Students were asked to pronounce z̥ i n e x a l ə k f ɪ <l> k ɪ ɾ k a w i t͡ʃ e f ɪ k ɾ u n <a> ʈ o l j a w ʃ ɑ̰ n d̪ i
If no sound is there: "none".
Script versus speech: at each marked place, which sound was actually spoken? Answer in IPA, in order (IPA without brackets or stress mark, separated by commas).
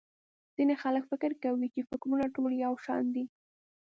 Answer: none, a